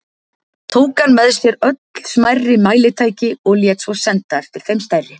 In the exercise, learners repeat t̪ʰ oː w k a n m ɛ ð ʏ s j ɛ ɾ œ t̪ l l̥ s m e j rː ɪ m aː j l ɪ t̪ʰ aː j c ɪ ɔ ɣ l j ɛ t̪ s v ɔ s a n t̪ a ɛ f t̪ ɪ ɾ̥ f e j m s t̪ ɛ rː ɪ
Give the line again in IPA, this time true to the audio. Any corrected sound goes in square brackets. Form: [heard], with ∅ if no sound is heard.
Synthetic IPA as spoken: t̪ʰ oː w k a n m ɛ ð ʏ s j ɛ ɾ œ t̪ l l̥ s m [a] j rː ɪ m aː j l ɪ t̪ʰ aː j c ɪ ɔ ɣ l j ɛ t̪ s v ɔ s [ɛ] n t̪ a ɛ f t̪ ɪ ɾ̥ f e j m s t̪ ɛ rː ɪ

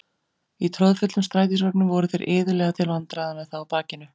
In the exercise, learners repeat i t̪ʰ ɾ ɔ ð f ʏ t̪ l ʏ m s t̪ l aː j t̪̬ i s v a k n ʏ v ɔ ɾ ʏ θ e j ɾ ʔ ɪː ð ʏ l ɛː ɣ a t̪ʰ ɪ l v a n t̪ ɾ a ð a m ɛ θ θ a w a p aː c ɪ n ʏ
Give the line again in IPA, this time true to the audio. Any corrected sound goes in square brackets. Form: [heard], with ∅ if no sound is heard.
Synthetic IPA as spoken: i t̪ʰ ɾ ɔ ð f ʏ t̪ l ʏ m s t̪ [ɾ] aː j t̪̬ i s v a k n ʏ v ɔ ɾ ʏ θ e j ɾ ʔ ɪː ð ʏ l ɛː ɣ a t̪ʰ ɪ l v a n t̪ ɾ a ð a m ɛ [ð] θ a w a p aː c ɪ n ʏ

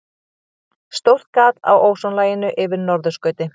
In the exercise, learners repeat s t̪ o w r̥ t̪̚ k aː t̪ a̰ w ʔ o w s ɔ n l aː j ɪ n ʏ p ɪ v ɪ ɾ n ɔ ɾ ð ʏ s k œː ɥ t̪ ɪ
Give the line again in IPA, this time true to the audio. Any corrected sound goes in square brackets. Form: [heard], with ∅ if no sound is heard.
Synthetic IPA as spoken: s t̪ o w r̥ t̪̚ k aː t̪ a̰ w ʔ o w s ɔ n l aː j ɪ n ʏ [ʔ] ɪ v ɪ ɾ n ɔ ɾ ð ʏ s k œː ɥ t̪ ɪ

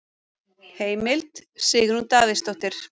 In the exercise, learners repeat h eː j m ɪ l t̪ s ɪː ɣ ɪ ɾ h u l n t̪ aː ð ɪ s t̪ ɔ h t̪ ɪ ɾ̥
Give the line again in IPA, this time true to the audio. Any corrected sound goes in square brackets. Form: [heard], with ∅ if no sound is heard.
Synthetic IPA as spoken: h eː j m ɪ l t̪ s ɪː ɣ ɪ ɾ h u [∅] n t̪ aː ð ɪ s t̪ ɔ h t̪ ɪ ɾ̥

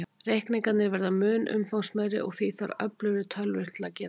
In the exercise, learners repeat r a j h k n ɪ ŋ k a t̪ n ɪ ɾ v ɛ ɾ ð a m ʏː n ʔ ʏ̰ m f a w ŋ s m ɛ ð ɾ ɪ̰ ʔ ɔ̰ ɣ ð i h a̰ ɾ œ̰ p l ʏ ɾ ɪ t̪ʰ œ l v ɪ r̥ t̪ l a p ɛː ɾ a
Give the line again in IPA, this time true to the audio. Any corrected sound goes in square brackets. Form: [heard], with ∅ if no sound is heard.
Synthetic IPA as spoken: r [e] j h k n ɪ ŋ k a t̪ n ɪ ɾ v ɛ ɾ ð a m ʏː n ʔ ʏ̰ m f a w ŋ s m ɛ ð ɾ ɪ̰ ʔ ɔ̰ ɣ [θ] i [θ] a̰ ɾ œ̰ p l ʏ ɾ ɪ t̪ʰ œ l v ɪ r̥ t̪ l a [c] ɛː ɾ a

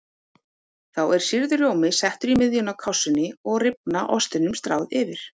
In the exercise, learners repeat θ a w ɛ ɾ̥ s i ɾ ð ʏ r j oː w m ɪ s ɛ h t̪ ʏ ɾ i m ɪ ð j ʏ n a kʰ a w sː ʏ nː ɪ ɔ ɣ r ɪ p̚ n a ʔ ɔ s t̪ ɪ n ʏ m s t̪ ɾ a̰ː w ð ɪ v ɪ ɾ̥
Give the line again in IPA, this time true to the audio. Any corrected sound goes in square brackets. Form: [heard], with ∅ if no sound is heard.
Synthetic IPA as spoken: θ a w ɛ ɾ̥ s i ɾ ð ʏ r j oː w m ɪ s ɛ h t̪ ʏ ɾ i m ɪ ð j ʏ n a kʰ a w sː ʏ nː ɪ ɔ ɣ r ɪ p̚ n a ʔ ɔ s t̪ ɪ n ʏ m s t̪ ɾ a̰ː w ð ɪ v ɪ ɾ̥

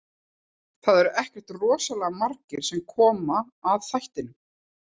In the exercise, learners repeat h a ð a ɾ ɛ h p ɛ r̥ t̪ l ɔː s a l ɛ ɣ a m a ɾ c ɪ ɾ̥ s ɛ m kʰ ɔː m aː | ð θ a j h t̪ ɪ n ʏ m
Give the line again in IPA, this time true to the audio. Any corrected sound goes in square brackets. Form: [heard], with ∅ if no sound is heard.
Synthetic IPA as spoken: [θ] a ð [ɛ] ɾ ɛ h [c] ɛ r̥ t̪ [r] ɔː s a l ɛ ɣ a m a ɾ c ɪ ɾ̥ s ɛ m kʰ ɔː m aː | ð θ a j h t̪ ɪ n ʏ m

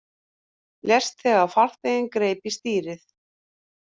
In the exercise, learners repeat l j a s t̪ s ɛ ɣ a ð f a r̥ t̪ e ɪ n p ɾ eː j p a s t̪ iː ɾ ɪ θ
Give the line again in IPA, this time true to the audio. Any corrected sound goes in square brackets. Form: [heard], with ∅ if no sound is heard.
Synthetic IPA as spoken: l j [ɛ] s t̪ [θ] ɛ ɣ a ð f a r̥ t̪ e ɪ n [k] ɾ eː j p [i] s t̪ iː ɾ ɪ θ

